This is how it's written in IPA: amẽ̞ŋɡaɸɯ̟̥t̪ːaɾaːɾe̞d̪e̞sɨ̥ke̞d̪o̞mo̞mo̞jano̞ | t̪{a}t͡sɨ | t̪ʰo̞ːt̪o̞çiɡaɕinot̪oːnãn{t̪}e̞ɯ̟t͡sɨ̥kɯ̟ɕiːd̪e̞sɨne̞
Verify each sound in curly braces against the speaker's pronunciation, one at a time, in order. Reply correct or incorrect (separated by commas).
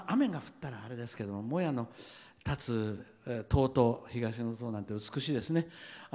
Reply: correct, correct